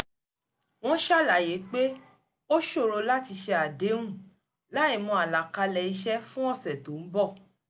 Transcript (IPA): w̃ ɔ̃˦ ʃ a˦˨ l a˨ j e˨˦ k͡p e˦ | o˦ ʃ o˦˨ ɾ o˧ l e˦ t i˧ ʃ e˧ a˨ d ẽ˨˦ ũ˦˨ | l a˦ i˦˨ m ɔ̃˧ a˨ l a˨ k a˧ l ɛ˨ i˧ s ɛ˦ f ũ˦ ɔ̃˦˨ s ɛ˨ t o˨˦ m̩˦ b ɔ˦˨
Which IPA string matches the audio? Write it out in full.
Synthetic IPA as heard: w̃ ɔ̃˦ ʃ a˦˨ l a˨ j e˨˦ k͡p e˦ | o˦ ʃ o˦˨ ɾ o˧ l a˦ t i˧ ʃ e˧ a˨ d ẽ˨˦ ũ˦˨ | l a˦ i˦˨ m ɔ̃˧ a˨ l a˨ k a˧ l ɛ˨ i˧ ʃ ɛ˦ f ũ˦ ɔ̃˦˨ s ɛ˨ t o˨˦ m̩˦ b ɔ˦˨